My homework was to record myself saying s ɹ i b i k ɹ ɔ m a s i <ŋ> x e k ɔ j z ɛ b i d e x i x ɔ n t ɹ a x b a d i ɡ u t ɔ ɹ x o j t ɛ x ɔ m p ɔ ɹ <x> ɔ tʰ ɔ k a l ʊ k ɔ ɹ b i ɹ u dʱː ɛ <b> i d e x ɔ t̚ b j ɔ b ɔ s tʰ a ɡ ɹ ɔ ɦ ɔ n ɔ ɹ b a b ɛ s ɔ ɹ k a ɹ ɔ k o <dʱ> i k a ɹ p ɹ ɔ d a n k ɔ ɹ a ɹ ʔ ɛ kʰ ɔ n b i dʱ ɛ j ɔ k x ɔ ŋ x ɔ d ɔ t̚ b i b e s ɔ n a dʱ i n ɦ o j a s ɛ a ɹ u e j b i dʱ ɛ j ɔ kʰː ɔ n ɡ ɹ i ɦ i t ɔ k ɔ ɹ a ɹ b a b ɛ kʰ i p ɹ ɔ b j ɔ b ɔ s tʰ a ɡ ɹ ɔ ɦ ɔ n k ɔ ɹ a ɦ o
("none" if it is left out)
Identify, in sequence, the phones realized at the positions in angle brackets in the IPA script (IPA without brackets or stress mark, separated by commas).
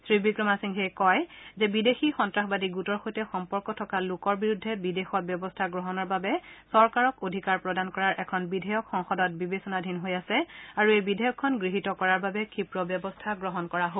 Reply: ŋ, k, b, dʱ